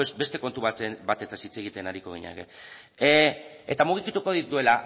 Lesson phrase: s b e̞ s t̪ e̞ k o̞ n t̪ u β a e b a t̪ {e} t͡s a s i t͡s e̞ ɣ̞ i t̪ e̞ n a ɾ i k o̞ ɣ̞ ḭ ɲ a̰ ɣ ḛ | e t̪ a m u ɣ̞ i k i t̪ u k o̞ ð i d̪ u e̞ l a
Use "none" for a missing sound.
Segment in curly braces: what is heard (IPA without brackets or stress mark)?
e